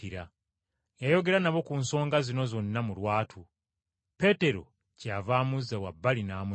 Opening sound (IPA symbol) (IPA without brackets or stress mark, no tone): i